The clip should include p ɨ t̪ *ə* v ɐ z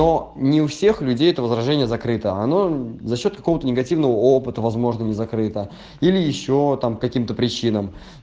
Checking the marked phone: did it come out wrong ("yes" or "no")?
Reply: no